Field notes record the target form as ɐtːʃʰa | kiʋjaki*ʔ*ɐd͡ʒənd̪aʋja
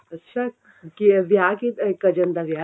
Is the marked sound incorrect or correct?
incorrect